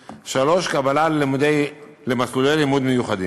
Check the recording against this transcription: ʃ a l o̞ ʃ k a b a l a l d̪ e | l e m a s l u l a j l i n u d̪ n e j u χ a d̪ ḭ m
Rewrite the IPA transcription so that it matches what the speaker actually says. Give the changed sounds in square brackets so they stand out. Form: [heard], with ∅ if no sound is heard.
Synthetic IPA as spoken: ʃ a l o̞ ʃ k a b a l a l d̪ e | l e m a s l u l [e] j l i [m] u d̪ [m] e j u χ a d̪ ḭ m